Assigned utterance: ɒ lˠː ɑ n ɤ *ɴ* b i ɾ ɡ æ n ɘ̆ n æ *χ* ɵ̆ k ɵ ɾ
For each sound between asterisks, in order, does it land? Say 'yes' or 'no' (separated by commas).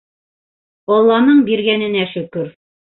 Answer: yes, no